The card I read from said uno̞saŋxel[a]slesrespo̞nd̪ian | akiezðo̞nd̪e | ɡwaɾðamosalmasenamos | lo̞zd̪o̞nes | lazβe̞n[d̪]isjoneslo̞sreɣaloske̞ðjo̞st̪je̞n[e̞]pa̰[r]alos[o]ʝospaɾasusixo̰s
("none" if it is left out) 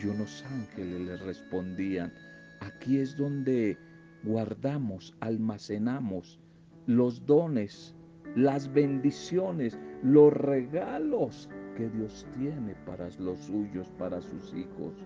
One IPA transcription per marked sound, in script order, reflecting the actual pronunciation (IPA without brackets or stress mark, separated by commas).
e, d̪, e̞, ɾ, u